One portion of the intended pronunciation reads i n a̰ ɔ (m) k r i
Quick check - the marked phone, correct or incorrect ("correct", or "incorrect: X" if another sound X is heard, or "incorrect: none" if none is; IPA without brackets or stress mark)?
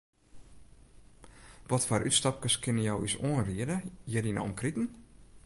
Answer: correct